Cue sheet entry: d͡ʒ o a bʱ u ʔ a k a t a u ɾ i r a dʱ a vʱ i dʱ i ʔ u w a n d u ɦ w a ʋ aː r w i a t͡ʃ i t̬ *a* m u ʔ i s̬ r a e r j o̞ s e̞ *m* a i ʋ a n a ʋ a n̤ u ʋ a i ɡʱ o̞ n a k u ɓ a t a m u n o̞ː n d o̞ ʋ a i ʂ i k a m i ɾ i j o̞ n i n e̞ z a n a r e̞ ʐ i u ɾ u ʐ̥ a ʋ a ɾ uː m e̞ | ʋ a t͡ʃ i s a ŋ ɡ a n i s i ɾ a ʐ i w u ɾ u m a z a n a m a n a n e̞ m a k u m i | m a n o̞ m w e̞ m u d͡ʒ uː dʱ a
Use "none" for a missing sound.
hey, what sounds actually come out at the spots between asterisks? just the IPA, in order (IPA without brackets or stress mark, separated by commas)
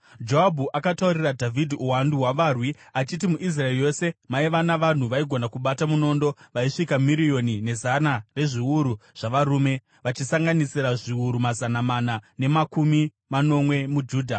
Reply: i, m